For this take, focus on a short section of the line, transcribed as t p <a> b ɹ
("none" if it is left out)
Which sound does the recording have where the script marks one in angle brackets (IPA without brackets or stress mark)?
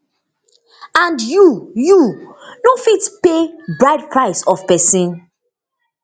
e